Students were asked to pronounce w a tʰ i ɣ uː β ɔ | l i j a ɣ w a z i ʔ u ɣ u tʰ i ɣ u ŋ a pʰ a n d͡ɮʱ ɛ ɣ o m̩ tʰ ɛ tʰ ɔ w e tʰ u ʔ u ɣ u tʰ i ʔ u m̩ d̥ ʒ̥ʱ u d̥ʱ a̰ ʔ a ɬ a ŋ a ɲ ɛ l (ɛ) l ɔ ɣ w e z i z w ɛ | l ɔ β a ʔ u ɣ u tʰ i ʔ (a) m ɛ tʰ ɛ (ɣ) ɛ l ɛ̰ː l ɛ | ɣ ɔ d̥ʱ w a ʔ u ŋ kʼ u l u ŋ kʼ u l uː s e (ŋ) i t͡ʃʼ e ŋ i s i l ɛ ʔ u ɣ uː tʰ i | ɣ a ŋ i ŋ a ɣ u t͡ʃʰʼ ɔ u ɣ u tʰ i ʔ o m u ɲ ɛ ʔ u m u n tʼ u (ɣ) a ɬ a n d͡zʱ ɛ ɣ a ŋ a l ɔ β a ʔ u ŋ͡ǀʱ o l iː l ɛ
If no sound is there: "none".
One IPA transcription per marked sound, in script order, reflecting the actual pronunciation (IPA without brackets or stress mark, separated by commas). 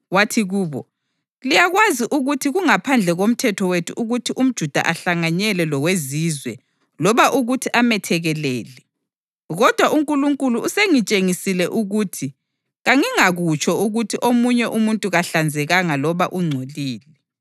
ɛ, a, ɣ, ŋ, ɣ